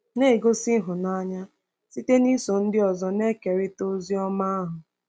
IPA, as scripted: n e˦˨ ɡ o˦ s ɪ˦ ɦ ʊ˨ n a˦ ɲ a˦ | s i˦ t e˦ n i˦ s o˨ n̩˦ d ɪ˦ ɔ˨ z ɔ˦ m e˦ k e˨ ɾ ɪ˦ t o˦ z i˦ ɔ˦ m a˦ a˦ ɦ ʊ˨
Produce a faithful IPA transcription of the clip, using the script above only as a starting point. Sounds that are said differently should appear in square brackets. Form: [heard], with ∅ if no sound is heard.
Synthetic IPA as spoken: n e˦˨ ɡ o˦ s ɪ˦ ɦ ʊ˨ n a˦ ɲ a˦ | s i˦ t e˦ n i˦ s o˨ n̩˦ d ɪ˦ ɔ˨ z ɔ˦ [n] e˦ k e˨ ɾ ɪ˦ t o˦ z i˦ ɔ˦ m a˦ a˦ ɦ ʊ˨